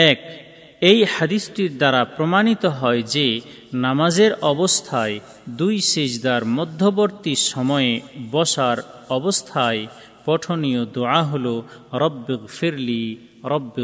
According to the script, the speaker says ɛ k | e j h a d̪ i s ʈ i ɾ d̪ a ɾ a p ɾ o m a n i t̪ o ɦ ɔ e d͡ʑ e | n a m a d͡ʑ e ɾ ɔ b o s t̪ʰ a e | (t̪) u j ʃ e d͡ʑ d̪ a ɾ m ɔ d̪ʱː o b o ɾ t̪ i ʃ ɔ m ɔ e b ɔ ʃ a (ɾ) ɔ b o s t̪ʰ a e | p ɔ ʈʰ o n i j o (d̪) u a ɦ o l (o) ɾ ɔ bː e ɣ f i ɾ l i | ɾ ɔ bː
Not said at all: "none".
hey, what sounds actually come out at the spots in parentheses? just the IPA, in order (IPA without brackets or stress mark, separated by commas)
d̪, ɾ, d̪, o